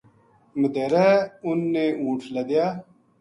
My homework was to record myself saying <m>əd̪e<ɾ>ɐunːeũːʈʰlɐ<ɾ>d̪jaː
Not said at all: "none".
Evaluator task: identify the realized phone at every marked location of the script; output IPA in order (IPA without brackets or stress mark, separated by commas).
m, ɾ, none